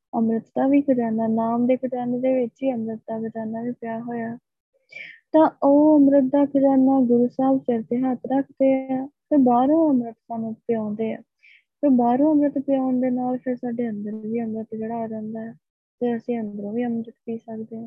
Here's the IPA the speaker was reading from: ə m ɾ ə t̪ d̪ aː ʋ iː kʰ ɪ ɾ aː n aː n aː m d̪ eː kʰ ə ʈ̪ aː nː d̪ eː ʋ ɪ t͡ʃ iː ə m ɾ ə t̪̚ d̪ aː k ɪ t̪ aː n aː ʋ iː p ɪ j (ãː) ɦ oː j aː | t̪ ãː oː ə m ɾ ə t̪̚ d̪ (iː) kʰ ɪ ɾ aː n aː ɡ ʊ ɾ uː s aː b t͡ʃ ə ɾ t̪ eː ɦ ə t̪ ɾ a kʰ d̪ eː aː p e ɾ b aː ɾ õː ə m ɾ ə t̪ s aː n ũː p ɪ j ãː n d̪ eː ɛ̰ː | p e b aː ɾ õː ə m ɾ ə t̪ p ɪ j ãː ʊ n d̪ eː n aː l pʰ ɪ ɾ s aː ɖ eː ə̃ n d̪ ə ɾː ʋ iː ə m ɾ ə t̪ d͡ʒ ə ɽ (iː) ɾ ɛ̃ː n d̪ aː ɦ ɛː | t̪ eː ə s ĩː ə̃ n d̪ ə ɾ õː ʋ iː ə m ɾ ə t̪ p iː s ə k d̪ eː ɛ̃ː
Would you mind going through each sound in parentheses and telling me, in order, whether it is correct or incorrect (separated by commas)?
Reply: incorrect, incorrect, incorrect